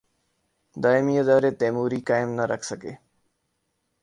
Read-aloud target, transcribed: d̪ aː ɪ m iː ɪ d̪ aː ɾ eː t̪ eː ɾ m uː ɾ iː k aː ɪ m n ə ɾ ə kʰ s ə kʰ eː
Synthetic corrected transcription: d̪ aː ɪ m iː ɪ d̪ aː ɾ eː t̪ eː m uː ɾ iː k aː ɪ m n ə ɾ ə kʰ s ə k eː